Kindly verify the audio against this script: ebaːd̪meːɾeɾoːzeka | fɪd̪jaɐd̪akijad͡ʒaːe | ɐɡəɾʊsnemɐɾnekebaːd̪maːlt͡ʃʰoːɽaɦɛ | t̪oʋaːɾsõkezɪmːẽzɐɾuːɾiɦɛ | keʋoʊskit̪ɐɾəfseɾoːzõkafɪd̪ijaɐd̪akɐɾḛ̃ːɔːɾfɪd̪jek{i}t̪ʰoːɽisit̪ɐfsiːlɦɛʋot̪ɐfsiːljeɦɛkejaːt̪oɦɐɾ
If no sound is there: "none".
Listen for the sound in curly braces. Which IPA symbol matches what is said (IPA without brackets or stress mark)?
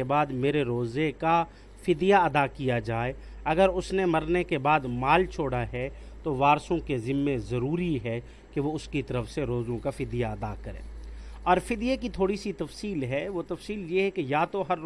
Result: i